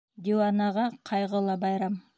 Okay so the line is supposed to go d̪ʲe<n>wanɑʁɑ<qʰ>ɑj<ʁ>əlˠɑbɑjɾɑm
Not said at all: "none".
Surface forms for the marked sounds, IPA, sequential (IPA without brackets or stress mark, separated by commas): none, qʰ, ʁ